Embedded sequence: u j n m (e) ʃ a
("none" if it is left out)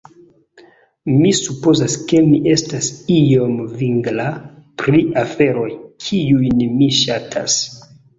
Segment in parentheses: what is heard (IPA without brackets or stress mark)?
i